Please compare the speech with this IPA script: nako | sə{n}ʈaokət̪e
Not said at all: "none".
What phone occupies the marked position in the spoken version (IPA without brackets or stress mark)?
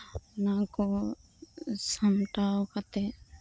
m